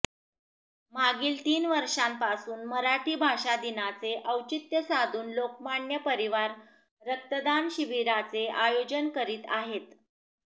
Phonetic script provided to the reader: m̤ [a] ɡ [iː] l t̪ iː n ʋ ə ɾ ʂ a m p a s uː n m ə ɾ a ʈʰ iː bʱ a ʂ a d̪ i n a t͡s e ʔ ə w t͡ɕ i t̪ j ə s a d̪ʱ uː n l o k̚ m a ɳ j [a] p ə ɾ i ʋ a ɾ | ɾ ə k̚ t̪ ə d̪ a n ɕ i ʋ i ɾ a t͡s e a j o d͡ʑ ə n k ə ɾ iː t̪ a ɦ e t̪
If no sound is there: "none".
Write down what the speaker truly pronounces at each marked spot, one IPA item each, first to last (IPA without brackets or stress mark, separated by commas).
a, iː, ə